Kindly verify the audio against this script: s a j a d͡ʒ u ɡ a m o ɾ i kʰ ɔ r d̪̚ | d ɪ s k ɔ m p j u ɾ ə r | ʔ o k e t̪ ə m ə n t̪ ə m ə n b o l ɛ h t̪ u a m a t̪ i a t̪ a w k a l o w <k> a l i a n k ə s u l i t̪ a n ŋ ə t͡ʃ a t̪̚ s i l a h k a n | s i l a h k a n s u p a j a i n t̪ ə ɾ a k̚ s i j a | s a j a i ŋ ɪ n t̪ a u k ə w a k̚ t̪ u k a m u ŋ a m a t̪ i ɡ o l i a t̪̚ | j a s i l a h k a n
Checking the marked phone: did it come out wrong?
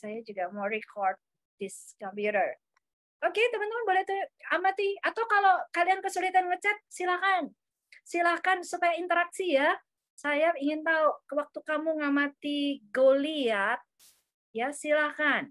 no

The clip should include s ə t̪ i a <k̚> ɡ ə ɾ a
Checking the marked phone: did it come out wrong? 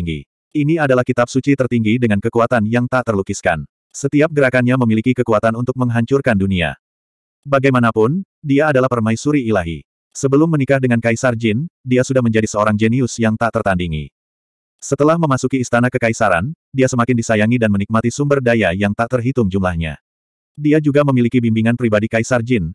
yes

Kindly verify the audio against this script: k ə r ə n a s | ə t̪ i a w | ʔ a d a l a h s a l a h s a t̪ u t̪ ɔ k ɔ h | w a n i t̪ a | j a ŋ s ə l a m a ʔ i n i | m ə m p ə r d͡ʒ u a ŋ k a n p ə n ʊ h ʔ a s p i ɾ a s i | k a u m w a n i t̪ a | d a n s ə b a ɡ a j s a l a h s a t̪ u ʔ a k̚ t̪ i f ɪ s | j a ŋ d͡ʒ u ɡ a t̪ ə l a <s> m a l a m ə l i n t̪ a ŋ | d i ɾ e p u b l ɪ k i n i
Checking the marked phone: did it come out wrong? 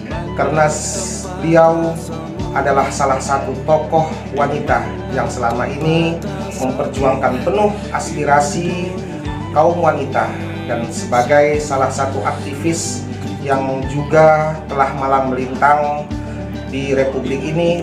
yes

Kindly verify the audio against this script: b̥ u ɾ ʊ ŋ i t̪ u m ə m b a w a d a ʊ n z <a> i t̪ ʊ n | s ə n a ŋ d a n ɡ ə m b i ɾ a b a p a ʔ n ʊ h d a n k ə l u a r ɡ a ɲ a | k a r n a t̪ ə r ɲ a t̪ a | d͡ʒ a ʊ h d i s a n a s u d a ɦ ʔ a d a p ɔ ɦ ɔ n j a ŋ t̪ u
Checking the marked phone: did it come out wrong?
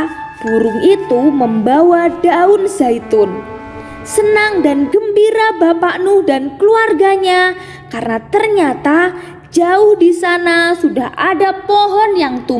no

